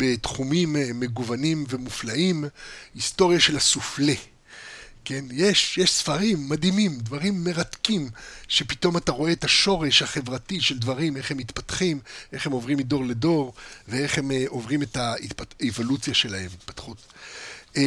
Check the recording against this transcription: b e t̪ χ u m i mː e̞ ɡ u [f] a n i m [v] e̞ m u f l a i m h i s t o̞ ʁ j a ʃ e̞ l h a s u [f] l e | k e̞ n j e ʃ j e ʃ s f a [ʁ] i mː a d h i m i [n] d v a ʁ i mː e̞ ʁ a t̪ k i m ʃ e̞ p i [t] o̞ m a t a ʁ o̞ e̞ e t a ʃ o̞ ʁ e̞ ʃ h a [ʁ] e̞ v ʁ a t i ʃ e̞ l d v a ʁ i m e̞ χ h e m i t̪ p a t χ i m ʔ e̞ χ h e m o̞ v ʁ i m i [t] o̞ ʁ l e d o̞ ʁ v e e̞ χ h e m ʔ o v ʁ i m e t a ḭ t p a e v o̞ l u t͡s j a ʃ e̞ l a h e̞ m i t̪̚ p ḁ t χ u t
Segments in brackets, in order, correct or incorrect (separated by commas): incorrect, correct, correct, correct, incorrect, correct, incorrect, incorrect